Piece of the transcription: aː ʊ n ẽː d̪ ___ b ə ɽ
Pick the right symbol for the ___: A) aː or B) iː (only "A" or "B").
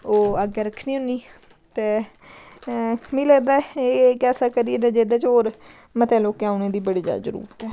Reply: B